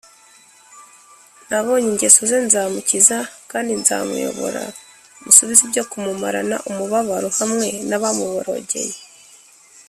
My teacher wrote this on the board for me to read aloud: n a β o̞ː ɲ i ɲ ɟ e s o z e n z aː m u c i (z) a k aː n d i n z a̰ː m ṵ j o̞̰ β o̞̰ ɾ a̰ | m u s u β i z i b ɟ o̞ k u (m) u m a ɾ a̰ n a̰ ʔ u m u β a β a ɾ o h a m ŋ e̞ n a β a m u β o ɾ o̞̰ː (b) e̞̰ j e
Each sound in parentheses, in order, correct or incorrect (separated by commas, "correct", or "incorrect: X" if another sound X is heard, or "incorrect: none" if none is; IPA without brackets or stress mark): correct, correct, incorrect: ɟ